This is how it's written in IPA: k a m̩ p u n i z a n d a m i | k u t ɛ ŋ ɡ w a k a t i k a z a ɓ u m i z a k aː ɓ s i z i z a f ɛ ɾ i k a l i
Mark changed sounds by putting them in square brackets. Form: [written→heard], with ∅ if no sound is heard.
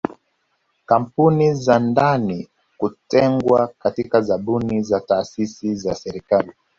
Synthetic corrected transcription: k a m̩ p u n i z a n d a [m→n] i | k u t ɛ ŋ ɡ w a k a t i k a z a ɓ u [m→n] i z a [k→t] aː [ɓ→∅] s i [z→s] i z a [f→s] ɛ ɾ i k a l i

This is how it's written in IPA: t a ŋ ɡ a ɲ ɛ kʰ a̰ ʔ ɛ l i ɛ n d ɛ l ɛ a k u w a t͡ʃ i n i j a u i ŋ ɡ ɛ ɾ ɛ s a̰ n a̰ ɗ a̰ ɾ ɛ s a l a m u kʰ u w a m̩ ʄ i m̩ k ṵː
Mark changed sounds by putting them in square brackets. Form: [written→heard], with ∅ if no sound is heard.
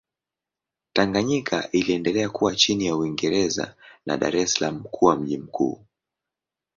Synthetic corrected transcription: t a ŋ ɡ a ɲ [ɛ→i] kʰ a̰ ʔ [ɛ→i] l i ɛ n d ɛ l ɛ a k u w a t͡ʃ i n i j a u i ŋ ɡ ɛ ɾ ɛ [s→z] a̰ n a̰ ɗ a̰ ɾ ɛ s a l a m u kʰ u w a m̩ ʄ i m̩ k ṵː

